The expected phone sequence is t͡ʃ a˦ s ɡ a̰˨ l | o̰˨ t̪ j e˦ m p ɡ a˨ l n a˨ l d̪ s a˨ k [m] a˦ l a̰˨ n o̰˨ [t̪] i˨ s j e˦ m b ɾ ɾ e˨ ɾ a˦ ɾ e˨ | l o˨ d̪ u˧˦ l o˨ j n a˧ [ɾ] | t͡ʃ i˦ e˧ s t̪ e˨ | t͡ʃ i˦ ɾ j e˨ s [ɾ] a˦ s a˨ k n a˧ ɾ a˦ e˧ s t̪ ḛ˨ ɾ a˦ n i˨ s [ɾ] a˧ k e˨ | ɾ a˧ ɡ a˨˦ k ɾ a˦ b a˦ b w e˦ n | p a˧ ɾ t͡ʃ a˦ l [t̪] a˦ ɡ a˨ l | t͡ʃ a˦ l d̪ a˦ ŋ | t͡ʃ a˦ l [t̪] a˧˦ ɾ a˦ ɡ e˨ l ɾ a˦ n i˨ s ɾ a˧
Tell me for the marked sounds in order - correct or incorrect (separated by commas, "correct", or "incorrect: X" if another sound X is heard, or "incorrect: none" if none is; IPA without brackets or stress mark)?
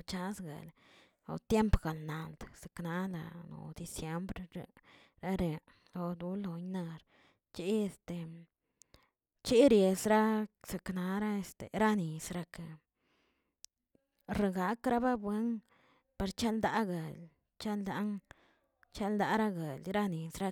incorrect: n, incorrect: d̪, correct, correct, correct, incorrect: d̪, incorrect: d̪